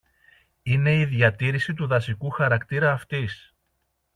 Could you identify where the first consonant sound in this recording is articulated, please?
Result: alveolar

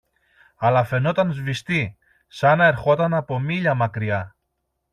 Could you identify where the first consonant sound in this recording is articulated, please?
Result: alveolar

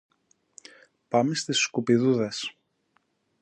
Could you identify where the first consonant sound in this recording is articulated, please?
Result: labial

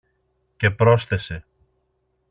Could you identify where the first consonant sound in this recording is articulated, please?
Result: palatal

